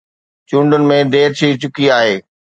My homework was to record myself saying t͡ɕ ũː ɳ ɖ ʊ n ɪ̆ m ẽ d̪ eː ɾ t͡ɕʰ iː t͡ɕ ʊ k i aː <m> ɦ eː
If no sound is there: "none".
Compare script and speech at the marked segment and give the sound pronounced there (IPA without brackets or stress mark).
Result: none